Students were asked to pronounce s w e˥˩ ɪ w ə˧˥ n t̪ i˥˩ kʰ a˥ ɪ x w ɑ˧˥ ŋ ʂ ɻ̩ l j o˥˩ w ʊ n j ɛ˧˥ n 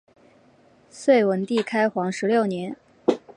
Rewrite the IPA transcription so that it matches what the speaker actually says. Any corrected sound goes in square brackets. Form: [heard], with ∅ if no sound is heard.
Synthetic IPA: s w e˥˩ ɪ w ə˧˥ n t̪ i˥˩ kʰ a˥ ɪ x w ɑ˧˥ ŋ ʂ ɻ̩ l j o˥˩ [∅] ʊ n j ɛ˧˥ n